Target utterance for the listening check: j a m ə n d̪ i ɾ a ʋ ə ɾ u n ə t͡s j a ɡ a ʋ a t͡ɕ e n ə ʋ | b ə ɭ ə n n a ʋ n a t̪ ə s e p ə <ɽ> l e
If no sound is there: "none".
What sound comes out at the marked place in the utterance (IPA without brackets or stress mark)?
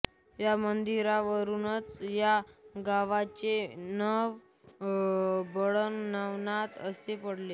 ɽ